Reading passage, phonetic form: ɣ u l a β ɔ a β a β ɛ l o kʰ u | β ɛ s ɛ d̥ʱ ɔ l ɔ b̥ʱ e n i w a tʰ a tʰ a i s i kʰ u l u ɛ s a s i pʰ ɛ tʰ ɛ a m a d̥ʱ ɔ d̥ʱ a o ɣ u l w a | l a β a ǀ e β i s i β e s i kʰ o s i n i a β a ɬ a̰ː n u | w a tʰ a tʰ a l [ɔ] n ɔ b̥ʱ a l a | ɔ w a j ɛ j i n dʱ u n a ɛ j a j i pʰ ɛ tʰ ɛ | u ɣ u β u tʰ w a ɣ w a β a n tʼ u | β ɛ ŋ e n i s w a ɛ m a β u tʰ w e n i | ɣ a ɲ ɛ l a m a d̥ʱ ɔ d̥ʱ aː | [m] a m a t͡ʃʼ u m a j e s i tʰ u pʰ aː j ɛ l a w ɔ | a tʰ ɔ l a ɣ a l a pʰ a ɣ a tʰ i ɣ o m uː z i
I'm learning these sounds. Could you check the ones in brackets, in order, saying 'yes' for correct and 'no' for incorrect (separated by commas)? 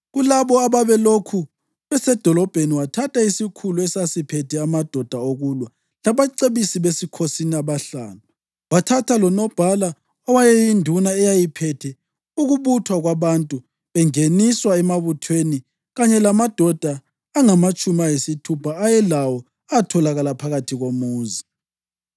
yes, no